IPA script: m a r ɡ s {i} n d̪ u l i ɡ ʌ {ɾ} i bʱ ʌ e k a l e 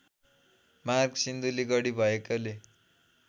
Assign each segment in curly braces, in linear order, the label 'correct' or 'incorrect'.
correct, incorrect: ɽ

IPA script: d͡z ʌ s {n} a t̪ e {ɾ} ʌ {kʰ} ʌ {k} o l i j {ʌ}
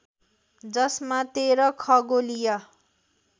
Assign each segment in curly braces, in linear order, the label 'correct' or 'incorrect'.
incorrect: m, correct, correct, incorrect: ɡ, correct

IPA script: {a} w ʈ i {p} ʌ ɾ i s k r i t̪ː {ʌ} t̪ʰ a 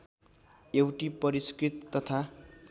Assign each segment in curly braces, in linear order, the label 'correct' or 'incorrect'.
incorrect: e, correct, correct

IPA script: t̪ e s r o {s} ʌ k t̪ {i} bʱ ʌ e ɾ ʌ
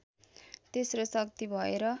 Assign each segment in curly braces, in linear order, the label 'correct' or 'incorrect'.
correct, correct

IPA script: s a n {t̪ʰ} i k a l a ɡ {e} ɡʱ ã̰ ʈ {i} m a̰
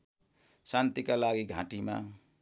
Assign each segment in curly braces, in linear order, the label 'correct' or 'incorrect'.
incorrect: t̪, incorrect: i, correct

